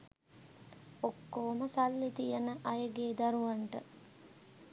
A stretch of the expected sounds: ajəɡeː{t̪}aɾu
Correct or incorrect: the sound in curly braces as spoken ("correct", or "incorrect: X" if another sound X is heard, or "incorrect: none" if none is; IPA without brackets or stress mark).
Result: incorrect: d̪